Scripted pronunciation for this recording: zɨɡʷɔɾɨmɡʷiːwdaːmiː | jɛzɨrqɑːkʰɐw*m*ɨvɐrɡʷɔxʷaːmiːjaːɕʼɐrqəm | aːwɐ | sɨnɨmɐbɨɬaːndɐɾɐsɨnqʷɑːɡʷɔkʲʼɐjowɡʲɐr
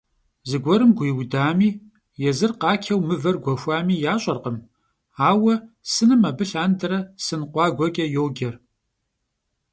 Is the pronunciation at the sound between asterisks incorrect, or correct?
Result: correct